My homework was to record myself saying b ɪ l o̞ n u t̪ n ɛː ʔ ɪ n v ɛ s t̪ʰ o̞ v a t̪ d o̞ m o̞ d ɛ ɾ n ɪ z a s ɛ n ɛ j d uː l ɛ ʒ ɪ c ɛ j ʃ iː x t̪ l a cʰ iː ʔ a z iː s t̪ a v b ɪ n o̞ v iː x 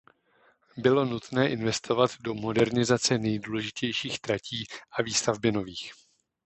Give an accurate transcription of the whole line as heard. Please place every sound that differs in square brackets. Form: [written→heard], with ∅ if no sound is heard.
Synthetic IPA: b ɪ l o̞ n u t̪ n ɛː ʔ ɪ n v ɛ s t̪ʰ o̞ v a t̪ d o̞ m o̞ d ɛ ɾ n ɪ z a [s→t͡s] ɛ n ɛ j d uː l ɛ ʒ ɪ c ɛ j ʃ iː x t̪ [l→ɾ] a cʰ iː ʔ a [z→v] iː s t̪ a v b ɪ n o̞ v iː x